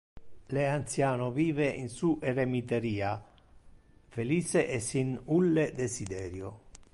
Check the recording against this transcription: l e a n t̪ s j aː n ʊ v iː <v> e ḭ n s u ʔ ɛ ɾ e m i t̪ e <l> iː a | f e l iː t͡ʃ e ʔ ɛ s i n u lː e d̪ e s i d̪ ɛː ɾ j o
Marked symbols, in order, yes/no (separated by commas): yes, no